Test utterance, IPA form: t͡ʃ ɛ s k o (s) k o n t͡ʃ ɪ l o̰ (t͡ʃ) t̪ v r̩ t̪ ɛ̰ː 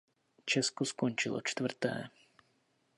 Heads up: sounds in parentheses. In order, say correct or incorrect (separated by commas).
correct, correct